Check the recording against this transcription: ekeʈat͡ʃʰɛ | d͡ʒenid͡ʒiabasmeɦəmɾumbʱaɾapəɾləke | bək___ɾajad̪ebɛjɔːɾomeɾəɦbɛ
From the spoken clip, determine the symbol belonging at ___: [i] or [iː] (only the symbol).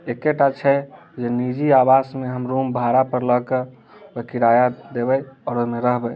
i